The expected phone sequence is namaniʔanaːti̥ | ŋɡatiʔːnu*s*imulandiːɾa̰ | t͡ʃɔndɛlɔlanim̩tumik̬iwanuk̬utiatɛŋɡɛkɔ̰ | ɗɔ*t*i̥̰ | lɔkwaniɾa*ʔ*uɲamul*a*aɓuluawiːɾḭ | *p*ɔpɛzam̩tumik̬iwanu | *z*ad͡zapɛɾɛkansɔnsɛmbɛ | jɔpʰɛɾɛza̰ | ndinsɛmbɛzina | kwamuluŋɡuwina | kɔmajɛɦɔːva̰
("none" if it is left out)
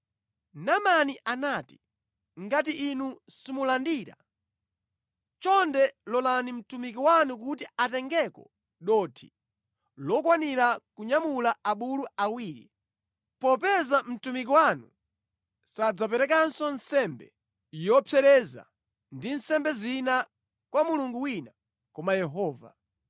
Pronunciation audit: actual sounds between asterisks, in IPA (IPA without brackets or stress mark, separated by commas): s, tʰ, k, a, p, s